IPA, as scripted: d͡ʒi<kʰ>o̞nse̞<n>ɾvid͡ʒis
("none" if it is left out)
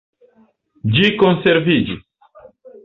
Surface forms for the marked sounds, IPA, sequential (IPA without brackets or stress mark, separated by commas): k, none